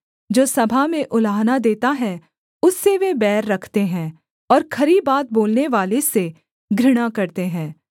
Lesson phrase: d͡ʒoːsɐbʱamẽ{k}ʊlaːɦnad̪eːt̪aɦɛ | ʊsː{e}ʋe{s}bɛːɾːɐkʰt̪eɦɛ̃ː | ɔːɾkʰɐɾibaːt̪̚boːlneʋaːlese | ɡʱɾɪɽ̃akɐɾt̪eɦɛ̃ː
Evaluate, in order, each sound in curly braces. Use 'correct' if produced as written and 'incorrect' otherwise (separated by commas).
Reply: incorrect, correct, incorrect